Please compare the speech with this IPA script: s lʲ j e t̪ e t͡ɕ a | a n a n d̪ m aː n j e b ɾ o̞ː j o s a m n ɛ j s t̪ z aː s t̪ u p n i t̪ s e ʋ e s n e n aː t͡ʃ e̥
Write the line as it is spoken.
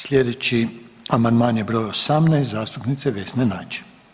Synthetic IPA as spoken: s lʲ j e d̪ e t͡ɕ i | a m a n d̪ m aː n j e b ɾ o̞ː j o s a m n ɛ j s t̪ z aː s t̪ u p n i t̪ s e ʋ e s n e n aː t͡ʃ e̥

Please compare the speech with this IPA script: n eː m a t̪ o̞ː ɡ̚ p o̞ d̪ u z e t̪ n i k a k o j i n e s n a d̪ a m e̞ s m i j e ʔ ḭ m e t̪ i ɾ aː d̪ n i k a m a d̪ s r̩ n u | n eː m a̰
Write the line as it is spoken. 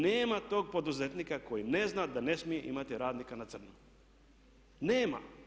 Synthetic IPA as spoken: n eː m a t̪ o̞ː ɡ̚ p o̞ d̪ u z e t̪ n i k a k o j i n e z n a d̪ a n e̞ s m i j e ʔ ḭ m a t̪ i ɾ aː d̪ n i k a n a t̪ s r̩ n u | n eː m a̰

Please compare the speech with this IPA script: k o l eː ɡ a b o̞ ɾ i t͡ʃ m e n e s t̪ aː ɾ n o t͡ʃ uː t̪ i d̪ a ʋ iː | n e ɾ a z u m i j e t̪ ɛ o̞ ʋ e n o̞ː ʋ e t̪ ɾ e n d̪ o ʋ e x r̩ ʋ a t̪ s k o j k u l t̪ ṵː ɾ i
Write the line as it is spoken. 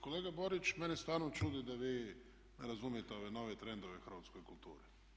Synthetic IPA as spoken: k o l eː ɡ a b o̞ ɾ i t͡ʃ m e n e s t̪ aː ɾ n o t͡ʃ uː d̪ i d̪ a ʋ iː | n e ɾ a z u m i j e t̪ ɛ o̞ ʋ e n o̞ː ʋ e t̪ ɾ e n d̪ o ʋ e x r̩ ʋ a t̪ s k o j k u l t̪ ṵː ɾ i

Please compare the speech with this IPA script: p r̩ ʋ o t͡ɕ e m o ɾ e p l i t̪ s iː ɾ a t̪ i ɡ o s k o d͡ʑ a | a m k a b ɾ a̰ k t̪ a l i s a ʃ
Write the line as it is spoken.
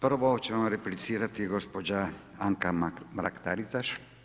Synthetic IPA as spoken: p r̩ ʋ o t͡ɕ e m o ɾ e p l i t̪ s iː ɾ a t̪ i ɡ o s p o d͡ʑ a | a ŋ k a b ɾ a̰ k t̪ a ɾ i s a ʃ

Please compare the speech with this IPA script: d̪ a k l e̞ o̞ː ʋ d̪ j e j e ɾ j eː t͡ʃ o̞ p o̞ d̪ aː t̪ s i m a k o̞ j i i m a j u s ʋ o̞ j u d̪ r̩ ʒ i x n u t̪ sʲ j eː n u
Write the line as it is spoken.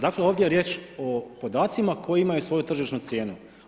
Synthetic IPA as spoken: d̪ a k l e̞ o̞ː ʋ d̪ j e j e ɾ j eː t͡ʃ o̞ p o̞ d̪ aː t̪ s i m a k o̞ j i i m a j u s ʋ o̞ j u t̪ r̩ ʒ i ʃ n u t̪ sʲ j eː n u

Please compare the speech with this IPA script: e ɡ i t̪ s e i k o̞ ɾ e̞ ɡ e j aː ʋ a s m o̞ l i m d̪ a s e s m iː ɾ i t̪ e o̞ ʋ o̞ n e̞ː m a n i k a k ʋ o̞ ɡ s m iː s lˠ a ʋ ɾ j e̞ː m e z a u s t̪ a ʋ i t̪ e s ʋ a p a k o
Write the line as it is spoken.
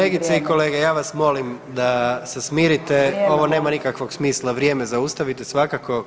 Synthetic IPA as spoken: e ɡ i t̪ s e i k o̞ l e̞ ɡ e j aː ʋ a s m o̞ l i m d̪ a s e s m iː ɾ i t̪ e o̞ ʋ o̞ n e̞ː m a n i k a k ʋ o̞ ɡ s m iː s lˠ a ʋ ɾ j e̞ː m e z a u s t̪ a ʋ i t̪ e s ʋ a k a k o

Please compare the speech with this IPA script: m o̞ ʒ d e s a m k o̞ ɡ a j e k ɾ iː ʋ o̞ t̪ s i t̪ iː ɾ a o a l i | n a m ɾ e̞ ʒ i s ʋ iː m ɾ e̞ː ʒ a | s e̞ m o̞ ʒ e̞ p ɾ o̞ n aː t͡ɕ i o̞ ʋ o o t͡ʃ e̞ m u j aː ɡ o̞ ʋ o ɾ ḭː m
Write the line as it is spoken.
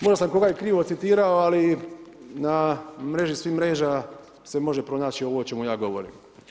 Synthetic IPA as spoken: m o̞ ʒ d a s a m k o̞ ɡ a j e k ɾ iː ʋ o̞ t̪ s i t̪ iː ɾ a o a l i | n a m ɾ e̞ ʒ i s ʋ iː m ɾ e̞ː ʒ a | s e̞ m o̞ ʒ e̞ p ɾ o̞ n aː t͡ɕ i o̞ ʋ o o t͡ʃ e̞ m u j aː ɡ o̞ ʋ o ɾ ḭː m

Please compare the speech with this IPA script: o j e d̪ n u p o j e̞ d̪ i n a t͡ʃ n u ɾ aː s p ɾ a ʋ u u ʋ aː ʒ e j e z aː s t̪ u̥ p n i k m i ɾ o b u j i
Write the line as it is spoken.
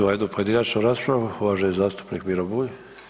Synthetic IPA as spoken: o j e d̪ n u p o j e̞ d̪ i n a t͡ʃ n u ɾ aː s p ɾ a ʋ u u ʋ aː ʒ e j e z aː s t̪ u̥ p n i k m i ɾ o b u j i

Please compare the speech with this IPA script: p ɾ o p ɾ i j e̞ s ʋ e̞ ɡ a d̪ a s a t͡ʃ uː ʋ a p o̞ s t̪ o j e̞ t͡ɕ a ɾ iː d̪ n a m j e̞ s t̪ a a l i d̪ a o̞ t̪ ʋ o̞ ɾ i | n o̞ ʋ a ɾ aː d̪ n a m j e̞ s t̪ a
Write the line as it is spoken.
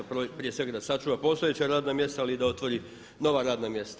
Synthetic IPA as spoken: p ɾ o p ɾ i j e̞ s ʋ e̞ ɡ a d̪ a s a t͡ʃ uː ʋ a p o̞ s t̪ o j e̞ t͡ɕ a ɾ aː d̪ n a m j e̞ s t̪ a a l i d̪ a o̞ t̪ ʋ o̞ ɾ i | n o̞ ʋ a ɾ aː d̪ n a m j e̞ s t̪ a

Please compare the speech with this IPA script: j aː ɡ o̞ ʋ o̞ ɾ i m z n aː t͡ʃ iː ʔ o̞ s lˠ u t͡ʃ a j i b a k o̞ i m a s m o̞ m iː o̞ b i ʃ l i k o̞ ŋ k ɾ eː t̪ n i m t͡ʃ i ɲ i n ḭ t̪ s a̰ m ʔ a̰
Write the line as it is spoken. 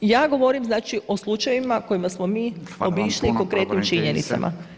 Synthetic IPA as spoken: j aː ɡ o̞ ʋ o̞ ɾ i m z n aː t͡ʃ i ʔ o̞ s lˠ u t͡ʃ a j i m a k o̞ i m a s m o̞ m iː o̞ b i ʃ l i k o̞ ŋ k ɾ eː t̪ n i m t͡ʃ i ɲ e n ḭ t̪ s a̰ m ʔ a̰

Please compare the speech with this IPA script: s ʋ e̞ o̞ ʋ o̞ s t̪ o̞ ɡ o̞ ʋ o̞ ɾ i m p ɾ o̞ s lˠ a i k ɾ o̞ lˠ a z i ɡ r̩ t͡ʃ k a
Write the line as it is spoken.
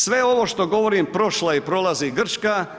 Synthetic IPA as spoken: s ʋ e̞ o̞ ʋ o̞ ʃ t̪ o̞ ɡ o̞ ʋ o̞ ɾ i m p ɾ o̞ ʃ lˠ a i p ɾ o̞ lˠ a z i ɡ r̩ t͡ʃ k a

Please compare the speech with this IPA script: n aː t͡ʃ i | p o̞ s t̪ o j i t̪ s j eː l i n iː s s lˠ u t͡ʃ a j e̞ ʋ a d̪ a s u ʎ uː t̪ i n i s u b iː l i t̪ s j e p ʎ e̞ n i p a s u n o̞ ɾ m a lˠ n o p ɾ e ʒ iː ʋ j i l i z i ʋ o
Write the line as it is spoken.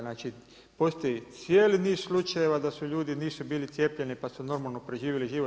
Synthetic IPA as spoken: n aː t͡ʃ i | p o̞ s t̪ o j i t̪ s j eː l i n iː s s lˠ u t͡ʃ a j e̞ ʋ a d̪ a s u ʎ uː d̪ i n iː s u b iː l i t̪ s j e p ʎ e̞ n i p a s u n o̞ ɾ m a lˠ n o p ɾ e ʒ iː ʋ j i l i ʒ i ʋ o

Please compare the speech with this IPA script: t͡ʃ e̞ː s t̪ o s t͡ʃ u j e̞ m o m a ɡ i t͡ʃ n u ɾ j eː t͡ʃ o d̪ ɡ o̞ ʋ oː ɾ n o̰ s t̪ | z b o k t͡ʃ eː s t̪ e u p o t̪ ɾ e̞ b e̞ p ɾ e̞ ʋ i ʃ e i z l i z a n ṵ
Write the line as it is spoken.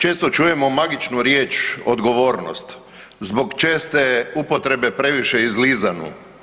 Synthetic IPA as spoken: t͡ʃ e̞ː s t̪ o t͡ʃ u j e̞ m o m a ɡ i t͡ʃ n u ɾ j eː t͡ʃ o d̪ ɡ o̞ ʋ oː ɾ n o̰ s t̪ | z b o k t͡ʃ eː s t̪ e u p o t̪ ɾ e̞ b e̞ p ɾ e̞ ʋ i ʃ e i z l i z a n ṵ

